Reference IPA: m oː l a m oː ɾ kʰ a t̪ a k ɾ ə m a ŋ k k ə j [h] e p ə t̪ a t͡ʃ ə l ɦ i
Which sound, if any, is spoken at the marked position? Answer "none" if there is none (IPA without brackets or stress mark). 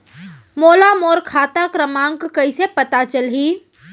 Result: s